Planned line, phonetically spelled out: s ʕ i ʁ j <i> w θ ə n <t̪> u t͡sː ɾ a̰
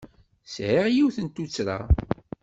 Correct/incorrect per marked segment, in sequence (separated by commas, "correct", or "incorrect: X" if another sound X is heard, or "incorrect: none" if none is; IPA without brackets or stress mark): correct, correct